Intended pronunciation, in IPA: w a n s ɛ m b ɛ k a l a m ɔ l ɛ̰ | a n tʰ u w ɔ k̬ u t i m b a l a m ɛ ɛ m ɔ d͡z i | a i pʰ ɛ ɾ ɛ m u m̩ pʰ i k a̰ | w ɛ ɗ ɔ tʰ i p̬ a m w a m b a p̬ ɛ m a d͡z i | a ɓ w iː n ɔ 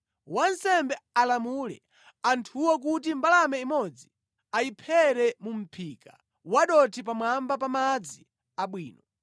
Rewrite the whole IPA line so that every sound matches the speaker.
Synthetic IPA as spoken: w a n s ɛ m b ɛ a l a m u l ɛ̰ | a n tʰ u w ɔ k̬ u t i m b a l a m ɛ i m ɔ d͡z i | a i pʰ ɛ ɾ ɛ m u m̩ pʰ i k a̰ | w a ɗ ɔ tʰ i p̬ a m w a m b a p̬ a m a d͡z i | a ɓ w iː n ɔ